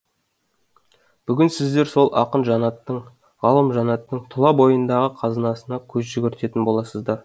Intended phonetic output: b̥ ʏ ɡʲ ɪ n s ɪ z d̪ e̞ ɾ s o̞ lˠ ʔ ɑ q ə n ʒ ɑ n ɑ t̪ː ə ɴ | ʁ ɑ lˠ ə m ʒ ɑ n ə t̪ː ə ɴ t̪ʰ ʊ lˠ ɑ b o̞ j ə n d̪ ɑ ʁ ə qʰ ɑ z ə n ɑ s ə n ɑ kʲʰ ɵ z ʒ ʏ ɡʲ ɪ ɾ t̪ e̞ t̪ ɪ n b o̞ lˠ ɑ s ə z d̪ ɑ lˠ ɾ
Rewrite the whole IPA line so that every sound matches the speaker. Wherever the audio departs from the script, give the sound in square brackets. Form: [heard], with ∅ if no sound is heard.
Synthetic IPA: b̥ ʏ ɡʲ ɪ n s ɪ z d̪ e̞ ɾ s o̞ lˠ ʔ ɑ q ə n ʒ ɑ n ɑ t̪ː ə ɴ | ʁ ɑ lˠ ə m ʒ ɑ n [ɑ] t̪ː ə ɴ t̪ʰ ʊ lˠ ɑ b o̞ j ə n d̪ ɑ ʁ ə qʰ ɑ z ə n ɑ s ə n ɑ kʲʰ ɵ z ʒ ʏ ɡʲ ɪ ɾ t̪ e̞ t̪ ɪ n b o̞ lˠ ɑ s ə z d̪ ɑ [∅] ɾ